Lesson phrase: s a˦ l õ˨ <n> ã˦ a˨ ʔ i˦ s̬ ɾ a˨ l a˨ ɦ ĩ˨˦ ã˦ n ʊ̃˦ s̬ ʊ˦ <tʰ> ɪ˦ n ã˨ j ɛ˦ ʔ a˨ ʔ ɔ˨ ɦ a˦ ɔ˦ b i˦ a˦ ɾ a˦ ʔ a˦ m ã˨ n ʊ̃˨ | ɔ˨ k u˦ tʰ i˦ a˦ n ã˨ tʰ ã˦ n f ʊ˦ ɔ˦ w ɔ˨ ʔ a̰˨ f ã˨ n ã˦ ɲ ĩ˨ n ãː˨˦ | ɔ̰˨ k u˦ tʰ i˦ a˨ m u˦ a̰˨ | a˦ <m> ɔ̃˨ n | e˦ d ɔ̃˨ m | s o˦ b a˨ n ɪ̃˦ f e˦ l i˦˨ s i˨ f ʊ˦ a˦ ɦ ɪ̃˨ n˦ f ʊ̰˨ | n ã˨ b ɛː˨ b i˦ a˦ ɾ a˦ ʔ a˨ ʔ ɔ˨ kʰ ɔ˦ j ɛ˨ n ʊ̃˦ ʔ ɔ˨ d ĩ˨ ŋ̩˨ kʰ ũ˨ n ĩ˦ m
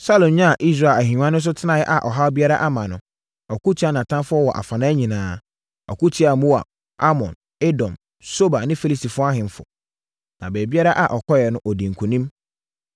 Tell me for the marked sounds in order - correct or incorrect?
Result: incorrect: ɲ, correct, correct

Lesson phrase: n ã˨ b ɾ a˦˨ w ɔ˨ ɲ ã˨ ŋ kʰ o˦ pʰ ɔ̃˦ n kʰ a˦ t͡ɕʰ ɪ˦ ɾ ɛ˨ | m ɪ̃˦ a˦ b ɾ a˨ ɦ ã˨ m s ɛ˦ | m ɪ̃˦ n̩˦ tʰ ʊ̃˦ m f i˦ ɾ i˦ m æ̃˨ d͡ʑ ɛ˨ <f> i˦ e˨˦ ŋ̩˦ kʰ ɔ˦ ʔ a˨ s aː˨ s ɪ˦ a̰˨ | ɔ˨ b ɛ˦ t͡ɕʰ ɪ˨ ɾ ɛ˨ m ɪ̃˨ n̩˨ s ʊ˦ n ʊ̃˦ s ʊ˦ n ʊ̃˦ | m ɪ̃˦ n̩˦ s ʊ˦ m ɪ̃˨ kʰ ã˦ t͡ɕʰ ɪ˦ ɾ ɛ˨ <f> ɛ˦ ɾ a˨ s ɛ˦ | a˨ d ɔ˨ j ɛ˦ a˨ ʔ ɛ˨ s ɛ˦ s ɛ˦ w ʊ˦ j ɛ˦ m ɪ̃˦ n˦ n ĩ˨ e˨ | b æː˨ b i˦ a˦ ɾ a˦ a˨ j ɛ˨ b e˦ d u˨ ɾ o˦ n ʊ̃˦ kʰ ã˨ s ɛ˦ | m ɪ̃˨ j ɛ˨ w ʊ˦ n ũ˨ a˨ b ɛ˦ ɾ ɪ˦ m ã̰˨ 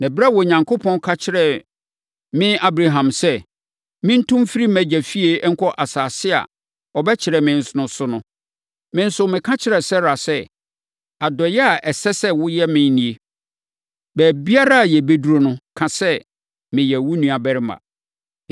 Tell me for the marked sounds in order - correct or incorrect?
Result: correct, incorrect: s

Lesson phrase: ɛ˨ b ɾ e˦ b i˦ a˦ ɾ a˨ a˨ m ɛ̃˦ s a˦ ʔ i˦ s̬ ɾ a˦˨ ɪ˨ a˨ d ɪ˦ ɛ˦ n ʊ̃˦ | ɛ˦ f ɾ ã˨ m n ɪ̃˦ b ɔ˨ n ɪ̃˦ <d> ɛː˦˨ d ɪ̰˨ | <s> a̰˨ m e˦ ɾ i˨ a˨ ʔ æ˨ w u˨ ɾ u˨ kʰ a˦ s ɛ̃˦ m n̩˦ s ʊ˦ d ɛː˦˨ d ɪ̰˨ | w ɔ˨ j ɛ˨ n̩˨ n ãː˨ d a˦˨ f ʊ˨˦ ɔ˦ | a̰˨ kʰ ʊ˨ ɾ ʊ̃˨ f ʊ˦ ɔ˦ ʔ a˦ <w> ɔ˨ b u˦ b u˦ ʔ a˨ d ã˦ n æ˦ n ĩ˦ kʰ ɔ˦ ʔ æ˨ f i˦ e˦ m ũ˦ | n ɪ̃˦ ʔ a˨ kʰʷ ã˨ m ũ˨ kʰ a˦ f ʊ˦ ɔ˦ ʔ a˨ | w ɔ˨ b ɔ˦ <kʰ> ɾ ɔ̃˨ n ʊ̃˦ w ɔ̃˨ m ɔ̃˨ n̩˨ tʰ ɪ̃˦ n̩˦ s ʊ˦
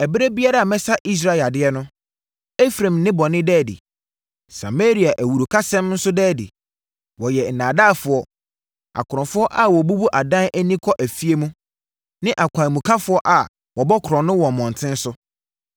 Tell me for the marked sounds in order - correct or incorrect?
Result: correct, correct, correct, correct

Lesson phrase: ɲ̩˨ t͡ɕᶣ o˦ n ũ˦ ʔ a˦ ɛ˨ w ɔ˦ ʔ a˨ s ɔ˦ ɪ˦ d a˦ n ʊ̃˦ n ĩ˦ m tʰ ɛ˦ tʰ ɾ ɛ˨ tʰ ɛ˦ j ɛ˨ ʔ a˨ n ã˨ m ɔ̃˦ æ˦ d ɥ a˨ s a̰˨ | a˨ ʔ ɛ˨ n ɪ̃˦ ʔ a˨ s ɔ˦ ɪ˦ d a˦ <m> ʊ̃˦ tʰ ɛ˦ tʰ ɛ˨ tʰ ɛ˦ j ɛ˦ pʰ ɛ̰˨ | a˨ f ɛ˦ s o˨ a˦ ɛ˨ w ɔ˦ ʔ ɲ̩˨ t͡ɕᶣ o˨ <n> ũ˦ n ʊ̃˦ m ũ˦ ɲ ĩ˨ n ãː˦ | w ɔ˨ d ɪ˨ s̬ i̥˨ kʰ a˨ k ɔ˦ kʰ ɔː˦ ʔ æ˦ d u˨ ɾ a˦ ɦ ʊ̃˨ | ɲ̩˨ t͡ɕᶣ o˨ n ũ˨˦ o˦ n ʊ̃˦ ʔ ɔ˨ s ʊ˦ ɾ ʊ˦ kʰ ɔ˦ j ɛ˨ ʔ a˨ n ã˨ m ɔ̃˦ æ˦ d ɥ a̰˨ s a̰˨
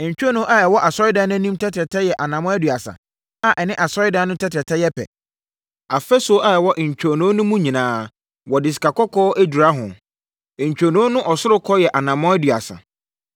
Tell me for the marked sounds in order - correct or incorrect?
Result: incorrect: n, correct

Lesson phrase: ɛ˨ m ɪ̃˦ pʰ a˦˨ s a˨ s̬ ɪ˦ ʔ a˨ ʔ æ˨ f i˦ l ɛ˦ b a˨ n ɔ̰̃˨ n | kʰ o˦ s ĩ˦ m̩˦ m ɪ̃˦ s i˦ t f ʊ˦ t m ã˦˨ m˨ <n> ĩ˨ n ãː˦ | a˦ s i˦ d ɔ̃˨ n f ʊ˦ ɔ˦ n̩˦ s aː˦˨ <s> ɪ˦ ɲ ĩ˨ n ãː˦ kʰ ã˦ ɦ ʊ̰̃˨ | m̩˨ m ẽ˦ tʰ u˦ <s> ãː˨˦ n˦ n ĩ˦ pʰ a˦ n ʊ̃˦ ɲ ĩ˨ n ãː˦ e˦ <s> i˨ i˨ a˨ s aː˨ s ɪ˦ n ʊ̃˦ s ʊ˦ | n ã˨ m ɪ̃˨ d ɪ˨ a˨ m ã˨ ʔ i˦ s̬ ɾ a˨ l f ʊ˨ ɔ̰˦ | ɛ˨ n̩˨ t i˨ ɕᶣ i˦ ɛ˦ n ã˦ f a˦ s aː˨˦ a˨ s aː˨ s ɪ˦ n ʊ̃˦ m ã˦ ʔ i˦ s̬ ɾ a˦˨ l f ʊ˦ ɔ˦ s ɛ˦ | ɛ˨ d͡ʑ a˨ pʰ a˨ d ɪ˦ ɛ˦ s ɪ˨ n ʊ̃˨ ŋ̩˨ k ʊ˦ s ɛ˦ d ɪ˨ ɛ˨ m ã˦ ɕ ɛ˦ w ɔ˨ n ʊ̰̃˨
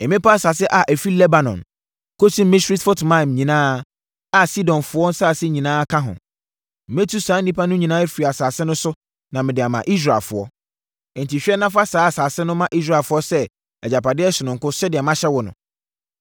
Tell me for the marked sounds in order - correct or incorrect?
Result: incorrect: ɲ, correct, correct, incorrect: f

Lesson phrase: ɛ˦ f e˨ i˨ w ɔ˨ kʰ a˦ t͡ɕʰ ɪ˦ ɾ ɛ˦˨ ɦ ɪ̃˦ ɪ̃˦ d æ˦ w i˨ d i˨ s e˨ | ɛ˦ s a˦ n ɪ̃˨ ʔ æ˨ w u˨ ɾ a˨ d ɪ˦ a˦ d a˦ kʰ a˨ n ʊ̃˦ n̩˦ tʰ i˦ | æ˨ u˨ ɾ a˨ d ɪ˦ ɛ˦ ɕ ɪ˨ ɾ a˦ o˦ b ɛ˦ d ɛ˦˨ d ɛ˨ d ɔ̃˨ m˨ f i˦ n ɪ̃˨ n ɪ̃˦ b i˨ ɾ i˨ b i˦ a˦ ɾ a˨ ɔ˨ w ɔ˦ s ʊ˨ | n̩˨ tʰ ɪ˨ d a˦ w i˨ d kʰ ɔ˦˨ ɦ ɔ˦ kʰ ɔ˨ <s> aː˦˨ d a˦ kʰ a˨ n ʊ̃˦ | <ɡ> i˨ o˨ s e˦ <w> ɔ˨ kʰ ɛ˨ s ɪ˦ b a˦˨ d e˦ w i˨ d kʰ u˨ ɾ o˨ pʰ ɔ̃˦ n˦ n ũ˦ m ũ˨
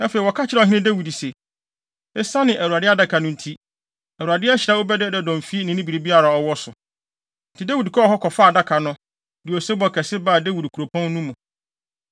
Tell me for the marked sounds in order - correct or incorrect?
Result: incorrect: f, incorrect: d, incorrect: b

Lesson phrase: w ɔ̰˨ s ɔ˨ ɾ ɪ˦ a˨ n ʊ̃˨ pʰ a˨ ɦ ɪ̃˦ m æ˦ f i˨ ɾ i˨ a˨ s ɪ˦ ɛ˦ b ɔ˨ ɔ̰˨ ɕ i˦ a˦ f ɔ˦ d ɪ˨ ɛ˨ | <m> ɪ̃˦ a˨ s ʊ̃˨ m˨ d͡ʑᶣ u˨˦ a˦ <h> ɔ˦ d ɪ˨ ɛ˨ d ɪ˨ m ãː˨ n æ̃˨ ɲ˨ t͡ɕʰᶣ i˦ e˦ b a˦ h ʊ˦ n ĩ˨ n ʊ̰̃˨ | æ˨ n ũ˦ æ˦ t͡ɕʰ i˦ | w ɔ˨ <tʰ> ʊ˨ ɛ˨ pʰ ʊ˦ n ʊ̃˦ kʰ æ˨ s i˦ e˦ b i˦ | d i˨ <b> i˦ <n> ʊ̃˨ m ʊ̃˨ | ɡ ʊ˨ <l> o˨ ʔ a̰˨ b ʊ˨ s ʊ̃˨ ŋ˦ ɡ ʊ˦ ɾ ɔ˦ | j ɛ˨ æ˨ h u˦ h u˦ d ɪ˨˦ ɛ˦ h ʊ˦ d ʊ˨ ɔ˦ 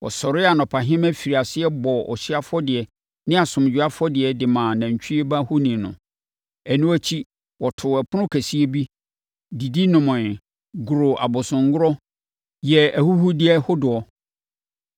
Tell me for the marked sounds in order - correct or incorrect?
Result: incorrect: n, incorrect: f, correct, incorrect: d, correct, incorrect: ɾ

